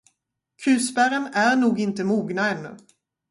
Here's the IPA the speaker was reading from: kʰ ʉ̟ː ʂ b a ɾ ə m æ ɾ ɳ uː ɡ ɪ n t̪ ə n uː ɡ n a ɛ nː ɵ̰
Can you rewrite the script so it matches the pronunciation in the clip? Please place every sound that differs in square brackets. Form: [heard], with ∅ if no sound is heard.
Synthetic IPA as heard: kʰ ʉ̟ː [s] b [æ] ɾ ə [n] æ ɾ ɳ uː ɡ ɪ n t̪ ə [m] uː ɡ n a ɛ nː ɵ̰